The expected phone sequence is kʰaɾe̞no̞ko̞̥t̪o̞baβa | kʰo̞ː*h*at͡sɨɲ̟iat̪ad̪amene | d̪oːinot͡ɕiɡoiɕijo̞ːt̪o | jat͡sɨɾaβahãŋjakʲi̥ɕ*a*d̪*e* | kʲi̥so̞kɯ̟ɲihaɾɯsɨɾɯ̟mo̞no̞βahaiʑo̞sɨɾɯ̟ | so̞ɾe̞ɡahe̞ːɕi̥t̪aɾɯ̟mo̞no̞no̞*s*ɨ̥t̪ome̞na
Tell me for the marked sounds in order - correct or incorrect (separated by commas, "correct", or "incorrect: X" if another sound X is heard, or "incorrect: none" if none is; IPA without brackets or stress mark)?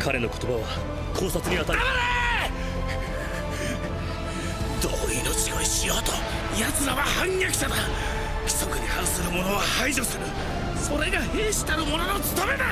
incorrect: s, correct, incorrect: a, incorrect: t͡s